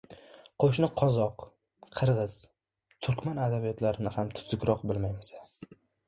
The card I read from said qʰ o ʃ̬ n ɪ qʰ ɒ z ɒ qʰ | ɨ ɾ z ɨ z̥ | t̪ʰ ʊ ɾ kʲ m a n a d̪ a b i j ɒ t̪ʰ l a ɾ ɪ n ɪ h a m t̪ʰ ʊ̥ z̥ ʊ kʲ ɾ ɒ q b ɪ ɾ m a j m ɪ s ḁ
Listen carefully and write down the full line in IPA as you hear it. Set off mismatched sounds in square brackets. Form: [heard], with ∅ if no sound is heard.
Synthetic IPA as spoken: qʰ o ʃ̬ n ɪ qʰ ɒ z ɒ qʰ | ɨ ɾ [ʁ] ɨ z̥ | t̪ʰ ʊ ɾ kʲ m a n a d̪ a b i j ɒ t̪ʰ l a ɾ ɪ n ɪ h a m t̪ʰ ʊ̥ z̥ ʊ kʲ ɾ ɒ q b ɪ [l] m a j m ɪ s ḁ

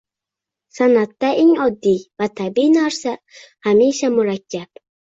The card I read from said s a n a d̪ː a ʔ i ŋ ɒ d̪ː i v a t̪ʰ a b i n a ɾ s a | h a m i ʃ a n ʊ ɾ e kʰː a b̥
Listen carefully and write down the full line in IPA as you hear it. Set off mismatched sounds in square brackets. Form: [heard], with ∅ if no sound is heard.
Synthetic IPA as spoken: s a n a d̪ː a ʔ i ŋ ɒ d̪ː i v a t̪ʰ a b i n a ɾ s a | h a m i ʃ a [m] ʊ ɾ [a] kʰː a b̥

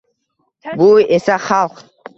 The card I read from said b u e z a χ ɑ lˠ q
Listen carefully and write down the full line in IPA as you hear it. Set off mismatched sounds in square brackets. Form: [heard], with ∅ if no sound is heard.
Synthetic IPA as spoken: b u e [s] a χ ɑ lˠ q

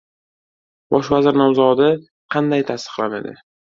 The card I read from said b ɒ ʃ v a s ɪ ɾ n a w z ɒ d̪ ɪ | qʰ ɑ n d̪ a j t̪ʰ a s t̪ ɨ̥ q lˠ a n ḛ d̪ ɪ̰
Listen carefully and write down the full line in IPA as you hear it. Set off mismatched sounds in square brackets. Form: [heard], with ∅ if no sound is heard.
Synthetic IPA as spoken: b ɒ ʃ v a [z] ɪ ɾ n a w z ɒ d̪ ɪ | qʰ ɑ n d̪ a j t̪ʰ a s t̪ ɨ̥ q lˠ a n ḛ d̪ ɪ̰

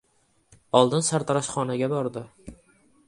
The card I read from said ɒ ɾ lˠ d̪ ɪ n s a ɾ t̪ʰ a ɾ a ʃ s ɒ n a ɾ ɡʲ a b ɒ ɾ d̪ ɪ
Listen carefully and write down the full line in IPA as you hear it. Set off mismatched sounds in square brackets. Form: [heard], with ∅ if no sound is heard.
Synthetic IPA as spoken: ɒ [∅] lˠ d̪ ɪ n s a ɾ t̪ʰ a ɾ a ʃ [χ] ɒ n a [∅] ɡʲ a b ɒ ɾ d̪ ɪ

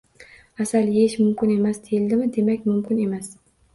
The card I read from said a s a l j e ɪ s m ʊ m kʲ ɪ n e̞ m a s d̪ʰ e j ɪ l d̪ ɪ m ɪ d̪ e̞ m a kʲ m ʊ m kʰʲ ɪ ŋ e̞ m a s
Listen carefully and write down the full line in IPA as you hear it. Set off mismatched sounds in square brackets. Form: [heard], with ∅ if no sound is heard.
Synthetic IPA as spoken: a s a l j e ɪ [ʃ] m ʊ m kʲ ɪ n e̞ m a s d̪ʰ e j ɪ l d̪ ɪ m ɪ d̪ e̞ m a kʲ m ʊ m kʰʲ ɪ [n] e̞ m a s

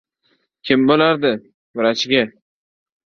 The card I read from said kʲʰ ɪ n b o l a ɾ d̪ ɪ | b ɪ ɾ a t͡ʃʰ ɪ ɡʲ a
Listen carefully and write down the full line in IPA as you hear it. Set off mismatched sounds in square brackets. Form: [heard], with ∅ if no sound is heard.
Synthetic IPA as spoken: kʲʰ ɪ [m] b o l a ɾ d̪ ɪ | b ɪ ɾ a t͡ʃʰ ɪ ɡʲ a

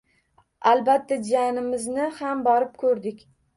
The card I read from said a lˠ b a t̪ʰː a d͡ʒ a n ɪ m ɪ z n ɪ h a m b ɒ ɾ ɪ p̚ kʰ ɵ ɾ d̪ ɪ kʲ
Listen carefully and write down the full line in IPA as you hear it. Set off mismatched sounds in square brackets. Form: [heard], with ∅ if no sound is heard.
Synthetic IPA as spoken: a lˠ b a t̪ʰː a d͡ʒ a n ɪ m ɪ z n ɪ h a m b ɒ ɾ ɪ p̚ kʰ ɵ ɾ d̪ ɪ kʲ

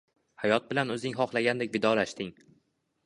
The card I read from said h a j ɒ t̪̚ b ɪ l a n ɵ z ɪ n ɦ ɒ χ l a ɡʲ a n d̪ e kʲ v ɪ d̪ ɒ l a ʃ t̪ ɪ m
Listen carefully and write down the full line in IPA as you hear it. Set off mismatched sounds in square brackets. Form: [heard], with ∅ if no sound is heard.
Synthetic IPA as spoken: h a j ɒ t̪̚ b ɪ l a n ɵ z ɪ [ŋ] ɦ ɒ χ l a ɡʲ a n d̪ e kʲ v ɪ d̪ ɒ l a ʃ t̪ ɪ [ŋ]

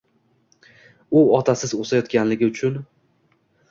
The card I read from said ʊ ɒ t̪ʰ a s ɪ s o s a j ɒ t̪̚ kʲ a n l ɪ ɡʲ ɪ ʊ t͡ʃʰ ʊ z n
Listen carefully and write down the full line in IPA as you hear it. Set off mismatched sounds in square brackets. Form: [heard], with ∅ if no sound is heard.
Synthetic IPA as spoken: ʊ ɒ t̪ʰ a s ɪ [z] o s a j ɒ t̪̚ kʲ a n l ɪ ɡʲ ɪ ʊ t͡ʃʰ ʊ [∅] n

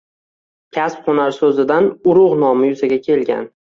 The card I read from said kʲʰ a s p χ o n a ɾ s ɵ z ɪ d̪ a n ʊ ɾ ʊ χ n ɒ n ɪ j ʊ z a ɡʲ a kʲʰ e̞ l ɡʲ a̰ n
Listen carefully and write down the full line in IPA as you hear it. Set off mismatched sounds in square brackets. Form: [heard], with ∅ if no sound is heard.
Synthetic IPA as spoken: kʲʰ a s p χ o n a ɾ s ɵ z ɪ d̪ a n ʊ ɾ ʊ [ʁ] n ɒ [m] ɪ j ʊ z a ɡʲ a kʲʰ e̞ l ɡʲ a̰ n

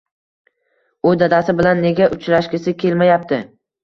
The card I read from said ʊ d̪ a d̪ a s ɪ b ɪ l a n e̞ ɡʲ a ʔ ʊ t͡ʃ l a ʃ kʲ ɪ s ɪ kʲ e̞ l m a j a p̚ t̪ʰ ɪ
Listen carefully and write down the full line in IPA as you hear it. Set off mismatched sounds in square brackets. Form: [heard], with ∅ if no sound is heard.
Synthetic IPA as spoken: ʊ d̪ a d̪ a s ɪ b ɪ l a [nː] e̞ ɡʲ a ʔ ʊ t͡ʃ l a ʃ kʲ ɪ s ɪ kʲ e̞ l m a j a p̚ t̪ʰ ɪ

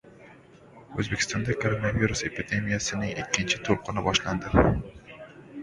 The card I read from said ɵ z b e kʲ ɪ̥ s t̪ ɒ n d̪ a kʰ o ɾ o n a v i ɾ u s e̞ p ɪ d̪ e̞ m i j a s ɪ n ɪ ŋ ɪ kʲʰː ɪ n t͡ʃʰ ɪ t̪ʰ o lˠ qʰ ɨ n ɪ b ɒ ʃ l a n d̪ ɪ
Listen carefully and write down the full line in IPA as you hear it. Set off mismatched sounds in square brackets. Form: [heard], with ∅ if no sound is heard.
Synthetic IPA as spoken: ɵ z b e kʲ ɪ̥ s t̪ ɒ n d̪ a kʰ o ɾ o n a v i ɾ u s e̞ p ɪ d̪ e̞ m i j a s ɪ n ɪ ŋ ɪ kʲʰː ɪ n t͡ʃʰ ɪ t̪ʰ o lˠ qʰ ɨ n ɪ b ɒ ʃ l a n d̪ ɪ

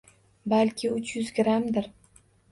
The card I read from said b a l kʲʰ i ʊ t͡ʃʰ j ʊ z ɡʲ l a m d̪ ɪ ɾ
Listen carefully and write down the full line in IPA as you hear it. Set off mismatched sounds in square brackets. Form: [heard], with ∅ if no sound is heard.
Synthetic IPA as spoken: b a l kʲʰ [ɪ] ʊ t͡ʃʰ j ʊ z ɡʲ [ɾ] a m d̪ ɪ ɾ

